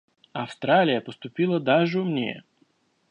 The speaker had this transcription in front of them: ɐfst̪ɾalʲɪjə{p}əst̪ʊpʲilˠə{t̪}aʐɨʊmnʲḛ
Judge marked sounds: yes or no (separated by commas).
yes, no